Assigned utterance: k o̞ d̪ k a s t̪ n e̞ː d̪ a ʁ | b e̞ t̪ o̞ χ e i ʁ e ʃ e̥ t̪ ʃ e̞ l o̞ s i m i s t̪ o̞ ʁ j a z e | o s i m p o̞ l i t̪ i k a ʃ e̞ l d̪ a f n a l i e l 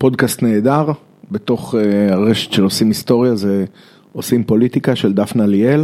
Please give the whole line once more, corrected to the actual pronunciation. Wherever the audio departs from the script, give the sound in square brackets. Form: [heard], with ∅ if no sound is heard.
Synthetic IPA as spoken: [p] o̞ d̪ k a s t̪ n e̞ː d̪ a ʁ | b e̞ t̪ o̞ χ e [a] ʁ e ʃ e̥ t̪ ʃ e̞ l o̞ s i m i s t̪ o̞ ʁ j a z e | o s i m p o̞ l i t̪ i k a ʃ e̞ l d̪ a f n a l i e l